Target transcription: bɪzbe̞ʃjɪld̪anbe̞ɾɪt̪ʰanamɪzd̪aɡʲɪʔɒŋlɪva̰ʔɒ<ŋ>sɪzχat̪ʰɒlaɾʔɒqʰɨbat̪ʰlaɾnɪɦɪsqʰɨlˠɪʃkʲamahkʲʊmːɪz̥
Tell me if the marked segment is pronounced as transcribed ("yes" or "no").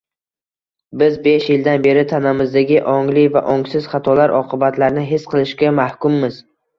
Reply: yes